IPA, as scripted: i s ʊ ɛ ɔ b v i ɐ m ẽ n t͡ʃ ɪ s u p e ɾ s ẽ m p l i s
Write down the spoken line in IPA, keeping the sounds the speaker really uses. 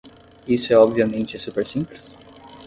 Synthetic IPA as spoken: i s ʊ ɛ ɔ b v i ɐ m ẽ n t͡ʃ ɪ s u p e ɾ s ĩ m p l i s